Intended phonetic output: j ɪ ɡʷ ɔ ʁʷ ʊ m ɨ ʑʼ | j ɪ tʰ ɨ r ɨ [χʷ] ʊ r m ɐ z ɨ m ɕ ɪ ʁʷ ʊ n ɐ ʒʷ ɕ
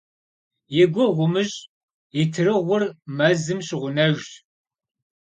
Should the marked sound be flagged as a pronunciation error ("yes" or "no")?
yes